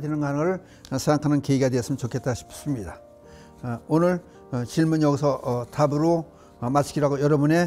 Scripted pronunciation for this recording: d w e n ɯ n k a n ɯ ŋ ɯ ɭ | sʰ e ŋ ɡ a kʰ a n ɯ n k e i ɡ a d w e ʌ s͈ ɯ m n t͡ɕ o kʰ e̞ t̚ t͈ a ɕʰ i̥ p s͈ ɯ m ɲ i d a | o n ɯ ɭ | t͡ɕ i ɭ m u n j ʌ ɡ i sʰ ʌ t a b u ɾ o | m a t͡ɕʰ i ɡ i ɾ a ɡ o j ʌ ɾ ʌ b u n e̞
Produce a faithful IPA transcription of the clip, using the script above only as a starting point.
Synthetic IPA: d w e n ɯ n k a n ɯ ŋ ɯ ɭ | sʰ e ŋ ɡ a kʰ a n ɯ n k e i ɡ a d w e ʌ s͈ ɯ m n t͡ɕ o kʰ e̞ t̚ t͈ a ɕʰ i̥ p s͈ ɯ m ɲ i d a | o n ɯ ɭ | t͡ɕ i ɭ m u n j ʌ ɡ i sʰ ʌ t a b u ɾ o | m a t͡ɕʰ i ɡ i ɾ a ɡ o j ʌ ɾ ʌ b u n e̞